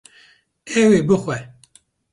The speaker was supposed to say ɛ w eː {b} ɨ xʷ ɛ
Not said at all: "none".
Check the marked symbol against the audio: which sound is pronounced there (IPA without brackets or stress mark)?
b